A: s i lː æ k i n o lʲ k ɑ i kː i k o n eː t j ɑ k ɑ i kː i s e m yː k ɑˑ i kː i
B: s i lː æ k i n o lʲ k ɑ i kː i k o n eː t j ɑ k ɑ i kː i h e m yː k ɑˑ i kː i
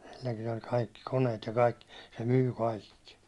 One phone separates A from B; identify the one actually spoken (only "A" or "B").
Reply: A